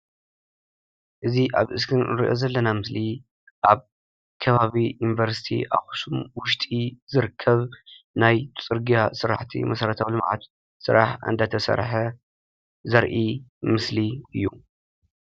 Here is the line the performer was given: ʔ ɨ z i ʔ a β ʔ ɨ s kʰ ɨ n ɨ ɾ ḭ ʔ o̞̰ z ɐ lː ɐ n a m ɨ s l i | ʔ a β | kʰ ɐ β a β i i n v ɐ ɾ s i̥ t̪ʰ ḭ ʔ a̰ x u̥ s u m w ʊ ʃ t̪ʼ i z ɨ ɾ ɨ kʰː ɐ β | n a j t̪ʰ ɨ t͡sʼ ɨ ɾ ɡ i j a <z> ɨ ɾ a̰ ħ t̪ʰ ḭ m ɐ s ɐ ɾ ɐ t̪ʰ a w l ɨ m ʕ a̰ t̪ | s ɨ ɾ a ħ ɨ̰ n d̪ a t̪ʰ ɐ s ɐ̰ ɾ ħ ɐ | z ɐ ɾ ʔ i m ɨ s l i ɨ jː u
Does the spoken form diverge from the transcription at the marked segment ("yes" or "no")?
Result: yes